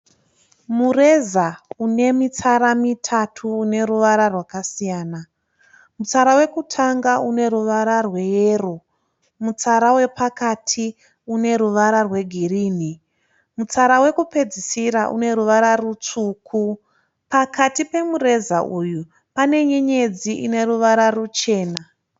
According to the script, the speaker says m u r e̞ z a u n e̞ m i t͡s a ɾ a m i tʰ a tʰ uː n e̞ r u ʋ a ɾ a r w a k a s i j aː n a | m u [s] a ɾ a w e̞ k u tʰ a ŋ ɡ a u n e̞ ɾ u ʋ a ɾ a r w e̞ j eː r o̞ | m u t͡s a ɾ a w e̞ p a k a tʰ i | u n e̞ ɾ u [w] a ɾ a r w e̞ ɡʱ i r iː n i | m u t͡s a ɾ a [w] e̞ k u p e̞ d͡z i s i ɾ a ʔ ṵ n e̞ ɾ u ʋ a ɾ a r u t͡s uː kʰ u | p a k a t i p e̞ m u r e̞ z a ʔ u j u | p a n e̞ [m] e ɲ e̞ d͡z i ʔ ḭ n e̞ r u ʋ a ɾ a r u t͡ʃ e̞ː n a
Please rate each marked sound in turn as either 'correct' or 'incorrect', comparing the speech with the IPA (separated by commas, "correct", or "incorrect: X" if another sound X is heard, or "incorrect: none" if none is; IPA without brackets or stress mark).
incorrect: t͡s, incorrect: ʋ, correct, incorrect: ɲ